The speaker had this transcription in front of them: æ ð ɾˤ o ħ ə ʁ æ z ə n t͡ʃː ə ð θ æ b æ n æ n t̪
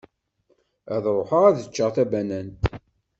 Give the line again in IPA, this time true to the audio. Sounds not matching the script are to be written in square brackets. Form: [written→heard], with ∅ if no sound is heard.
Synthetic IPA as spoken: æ ð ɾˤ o ħ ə ʁ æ [z→ð] ə [n→∅] t͡ʃː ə [ð→ʁ] θ æ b æ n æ n t̪